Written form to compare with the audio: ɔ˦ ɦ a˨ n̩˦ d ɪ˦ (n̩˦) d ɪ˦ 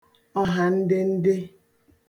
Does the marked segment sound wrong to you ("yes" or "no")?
no